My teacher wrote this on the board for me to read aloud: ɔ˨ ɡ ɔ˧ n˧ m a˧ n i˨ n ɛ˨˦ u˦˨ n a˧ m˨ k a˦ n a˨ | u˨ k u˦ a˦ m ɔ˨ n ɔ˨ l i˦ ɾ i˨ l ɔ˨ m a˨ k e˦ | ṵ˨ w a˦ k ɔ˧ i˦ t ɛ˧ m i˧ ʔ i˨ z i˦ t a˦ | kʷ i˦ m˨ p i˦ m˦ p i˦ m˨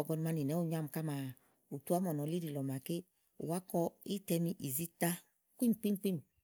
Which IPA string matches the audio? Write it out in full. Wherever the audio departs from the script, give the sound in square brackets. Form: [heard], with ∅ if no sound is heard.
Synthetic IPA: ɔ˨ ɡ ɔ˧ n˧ m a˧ n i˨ n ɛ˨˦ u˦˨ [ɲ] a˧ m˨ k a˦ [m] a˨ | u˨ [t] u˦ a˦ m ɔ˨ n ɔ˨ l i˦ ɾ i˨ l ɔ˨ m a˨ k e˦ | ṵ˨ w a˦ k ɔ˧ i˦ t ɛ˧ m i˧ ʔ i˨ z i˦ t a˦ | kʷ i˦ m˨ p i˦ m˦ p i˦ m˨